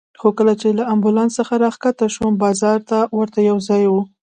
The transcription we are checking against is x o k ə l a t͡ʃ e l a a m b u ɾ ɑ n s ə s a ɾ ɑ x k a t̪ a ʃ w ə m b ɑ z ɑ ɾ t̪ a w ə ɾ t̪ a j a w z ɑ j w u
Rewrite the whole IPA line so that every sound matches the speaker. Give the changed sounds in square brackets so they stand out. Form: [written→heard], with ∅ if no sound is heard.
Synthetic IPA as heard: x o k ə l a t͡ʃ e l a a m b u [ɾ→l] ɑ n s ə [s→x] a ɾ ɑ x k a t̪ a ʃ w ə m b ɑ z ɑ ɾ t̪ a w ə ɾ t̪ a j a w z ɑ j w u